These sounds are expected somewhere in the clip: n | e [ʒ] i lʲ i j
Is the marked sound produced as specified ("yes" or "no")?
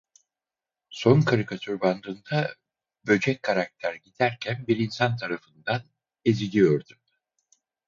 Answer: no